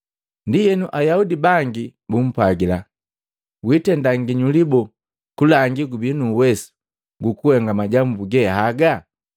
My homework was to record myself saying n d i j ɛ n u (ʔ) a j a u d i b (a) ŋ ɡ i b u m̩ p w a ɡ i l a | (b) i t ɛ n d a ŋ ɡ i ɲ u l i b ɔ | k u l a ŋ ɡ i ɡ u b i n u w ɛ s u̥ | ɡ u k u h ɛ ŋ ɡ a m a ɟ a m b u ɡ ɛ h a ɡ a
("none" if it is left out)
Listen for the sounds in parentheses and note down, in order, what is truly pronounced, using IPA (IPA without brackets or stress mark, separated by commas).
ʔ, a, w